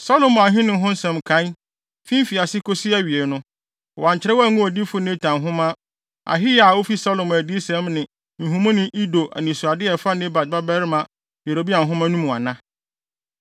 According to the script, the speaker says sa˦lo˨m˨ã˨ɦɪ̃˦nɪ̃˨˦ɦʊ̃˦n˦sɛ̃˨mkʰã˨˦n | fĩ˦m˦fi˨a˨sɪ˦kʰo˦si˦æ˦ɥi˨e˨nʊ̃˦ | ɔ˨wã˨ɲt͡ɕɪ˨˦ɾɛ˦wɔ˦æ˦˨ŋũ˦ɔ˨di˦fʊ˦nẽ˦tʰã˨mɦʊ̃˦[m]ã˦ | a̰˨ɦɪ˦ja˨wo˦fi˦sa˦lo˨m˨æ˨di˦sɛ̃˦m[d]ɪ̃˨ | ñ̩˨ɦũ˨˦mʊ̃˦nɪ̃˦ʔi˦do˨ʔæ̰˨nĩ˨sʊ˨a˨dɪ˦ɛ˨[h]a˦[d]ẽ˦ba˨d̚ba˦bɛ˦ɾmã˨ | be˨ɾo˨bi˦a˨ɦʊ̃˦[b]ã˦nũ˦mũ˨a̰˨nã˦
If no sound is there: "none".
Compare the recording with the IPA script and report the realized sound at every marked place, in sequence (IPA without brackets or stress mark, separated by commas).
m, n, f, n, m